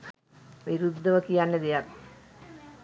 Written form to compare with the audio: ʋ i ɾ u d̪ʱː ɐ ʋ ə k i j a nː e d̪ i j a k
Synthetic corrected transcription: ʋ i ɾ u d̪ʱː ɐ ʋ ə k i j a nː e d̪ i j a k